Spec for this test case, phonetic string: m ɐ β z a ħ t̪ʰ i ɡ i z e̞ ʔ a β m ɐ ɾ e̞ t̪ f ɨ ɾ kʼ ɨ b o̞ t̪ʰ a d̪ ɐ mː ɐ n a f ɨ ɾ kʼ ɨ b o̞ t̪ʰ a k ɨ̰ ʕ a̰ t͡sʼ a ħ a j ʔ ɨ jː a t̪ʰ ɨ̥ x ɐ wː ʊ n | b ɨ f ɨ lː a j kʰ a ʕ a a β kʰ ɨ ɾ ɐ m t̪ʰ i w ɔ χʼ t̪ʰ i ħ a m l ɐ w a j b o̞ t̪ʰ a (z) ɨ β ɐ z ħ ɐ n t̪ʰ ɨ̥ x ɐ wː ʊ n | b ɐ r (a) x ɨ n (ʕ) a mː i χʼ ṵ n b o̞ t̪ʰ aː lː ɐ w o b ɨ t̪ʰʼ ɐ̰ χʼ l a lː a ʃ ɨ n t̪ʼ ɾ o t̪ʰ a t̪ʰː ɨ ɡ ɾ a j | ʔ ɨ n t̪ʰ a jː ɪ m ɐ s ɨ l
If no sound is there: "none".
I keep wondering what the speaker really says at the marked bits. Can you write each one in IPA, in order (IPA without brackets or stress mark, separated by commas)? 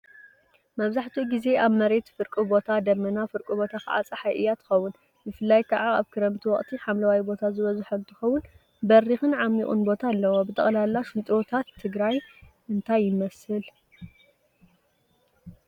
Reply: z, i, ʕ